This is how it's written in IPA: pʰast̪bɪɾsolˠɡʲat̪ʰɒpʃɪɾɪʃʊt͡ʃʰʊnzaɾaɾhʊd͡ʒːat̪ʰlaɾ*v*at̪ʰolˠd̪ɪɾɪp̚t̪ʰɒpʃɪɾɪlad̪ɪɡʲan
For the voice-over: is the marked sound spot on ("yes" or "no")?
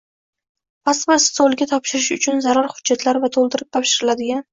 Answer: yes